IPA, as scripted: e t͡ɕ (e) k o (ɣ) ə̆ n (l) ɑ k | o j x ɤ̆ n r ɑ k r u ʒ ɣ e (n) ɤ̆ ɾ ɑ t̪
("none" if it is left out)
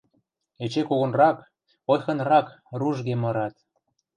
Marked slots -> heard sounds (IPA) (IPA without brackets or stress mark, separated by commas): e, ɣ, r, m